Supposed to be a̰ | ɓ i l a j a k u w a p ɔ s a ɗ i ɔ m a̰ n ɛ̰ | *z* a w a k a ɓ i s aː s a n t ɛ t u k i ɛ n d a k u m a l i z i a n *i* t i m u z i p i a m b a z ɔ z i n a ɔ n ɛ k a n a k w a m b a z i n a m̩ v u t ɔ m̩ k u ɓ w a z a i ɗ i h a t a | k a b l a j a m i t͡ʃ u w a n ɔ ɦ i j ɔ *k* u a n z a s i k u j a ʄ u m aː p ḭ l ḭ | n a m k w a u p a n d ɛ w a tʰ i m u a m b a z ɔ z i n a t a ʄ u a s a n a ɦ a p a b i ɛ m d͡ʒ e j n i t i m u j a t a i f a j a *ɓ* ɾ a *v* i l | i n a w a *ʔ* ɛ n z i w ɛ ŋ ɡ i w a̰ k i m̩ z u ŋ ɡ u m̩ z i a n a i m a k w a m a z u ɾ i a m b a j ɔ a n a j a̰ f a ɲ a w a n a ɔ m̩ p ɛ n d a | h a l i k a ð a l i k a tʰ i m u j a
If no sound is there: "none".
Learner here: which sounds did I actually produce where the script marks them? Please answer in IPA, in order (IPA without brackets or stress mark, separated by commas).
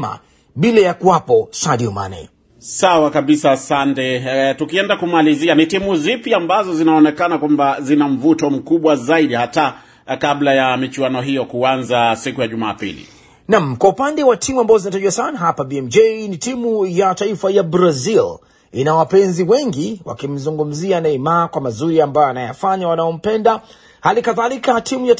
s, i, k, b, z, p